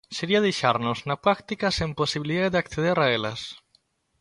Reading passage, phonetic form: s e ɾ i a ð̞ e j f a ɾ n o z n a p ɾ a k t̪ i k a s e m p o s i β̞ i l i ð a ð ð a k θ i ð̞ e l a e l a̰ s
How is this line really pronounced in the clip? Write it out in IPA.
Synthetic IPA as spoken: s e ɾ i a ð̞ e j ʃ a ɾ n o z n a p ɾ a k t̪ i k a s e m p o s i β̞ i l i ð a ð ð a k θ e ð̞ e ɾ a e l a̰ s